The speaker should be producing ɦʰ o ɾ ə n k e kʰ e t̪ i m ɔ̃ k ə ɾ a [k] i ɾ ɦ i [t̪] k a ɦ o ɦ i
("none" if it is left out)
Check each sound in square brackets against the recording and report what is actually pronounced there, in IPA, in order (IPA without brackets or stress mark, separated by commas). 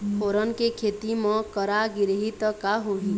ɡ, t̪